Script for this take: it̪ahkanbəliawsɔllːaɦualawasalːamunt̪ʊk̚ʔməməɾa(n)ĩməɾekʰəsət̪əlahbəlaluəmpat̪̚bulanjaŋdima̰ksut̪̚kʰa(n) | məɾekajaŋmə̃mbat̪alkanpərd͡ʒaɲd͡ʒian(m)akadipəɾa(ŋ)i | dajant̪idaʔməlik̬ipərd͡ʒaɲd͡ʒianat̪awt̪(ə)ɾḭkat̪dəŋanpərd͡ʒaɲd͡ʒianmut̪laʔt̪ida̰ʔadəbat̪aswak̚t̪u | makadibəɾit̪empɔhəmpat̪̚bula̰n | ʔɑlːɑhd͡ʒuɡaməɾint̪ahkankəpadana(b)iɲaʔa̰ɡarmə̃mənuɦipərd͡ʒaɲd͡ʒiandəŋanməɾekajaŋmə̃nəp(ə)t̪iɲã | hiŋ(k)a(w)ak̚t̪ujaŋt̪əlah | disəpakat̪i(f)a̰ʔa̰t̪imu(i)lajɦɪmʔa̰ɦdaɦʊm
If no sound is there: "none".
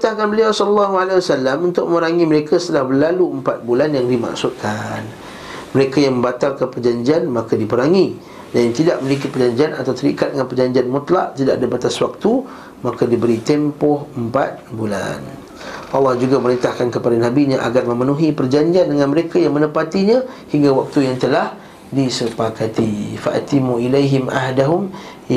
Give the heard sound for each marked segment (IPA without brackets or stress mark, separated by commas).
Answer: ŋ, n, m, ŋ, ə, b, a, ɡ, w, f, i